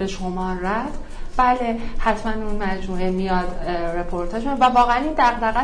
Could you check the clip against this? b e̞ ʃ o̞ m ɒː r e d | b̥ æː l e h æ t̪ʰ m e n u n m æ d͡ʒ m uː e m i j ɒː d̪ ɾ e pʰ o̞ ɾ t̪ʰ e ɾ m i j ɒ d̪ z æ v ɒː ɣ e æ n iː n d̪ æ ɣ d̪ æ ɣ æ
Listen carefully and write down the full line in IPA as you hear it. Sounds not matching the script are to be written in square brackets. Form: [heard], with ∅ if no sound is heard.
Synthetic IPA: b e̞ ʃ o̞ m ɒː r [æ] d | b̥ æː l e h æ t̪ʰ m [æ] n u n m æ d͡ʒ m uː e m i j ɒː d̪ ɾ e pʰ o̞ ɾ t̪ʰ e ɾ m i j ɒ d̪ [v] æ v ɒː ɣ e æ n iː n d̪ æ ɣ d̪ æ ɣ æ